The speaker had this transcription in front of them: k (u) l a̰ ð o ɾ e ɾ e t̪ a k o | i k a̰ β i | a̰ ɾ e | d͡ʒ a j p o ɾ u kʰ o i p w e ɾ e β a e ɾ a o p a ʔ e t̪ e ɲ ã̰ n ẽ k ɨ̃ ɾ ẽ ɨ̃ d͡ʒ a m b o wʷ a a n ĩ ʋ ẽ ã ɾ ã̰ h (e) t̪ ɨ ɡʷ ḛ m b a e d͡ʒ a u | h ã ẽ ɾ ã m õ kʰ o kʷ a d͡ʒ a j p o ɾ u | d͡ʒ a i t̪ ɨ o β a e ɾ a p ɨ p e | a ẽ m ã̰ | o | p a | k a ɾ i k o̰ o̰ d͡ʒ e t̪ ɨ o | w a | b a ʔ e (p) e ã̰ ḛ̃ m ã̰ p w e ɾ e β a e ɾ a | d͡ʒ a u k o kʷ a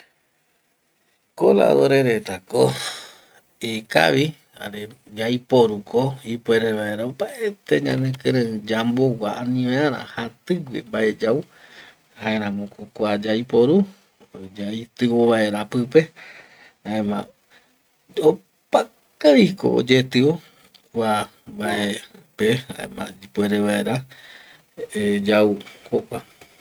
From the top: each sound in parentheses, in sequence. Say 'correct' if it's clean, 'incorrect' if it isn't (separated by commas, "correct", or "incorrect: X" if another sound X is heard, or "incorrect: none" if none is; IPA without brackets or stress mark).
incorrect: o, incorrect: a, correct